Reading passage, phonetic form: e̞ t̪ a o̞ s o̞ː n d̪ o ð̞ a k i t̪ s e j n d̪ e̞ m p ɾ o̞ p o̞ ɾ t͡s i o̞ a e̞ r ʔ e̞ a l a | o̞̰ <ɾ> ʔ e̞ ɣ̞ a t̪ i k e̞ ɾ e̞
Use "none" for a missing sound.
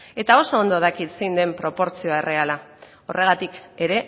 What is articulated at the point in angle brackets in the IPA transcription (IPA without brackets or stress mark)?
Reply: r